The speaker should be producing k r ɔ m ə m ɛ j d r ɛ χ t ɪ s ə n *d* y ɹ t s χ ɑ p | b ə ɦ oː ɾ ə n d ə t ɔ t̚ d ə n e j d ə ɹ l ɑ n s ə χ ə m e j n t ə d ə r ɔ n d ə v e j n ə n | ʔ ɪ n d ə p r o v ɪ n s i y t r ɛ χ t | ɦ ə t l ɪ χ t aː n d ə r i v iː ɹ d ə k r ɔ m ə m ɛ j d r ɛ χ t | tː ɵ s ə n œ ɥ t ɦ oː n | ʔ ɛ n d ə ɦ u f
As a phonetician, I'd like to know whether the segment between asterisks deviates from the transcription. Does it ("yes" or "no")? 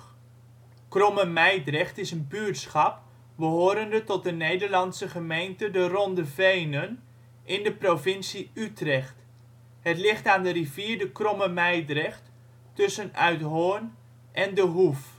yes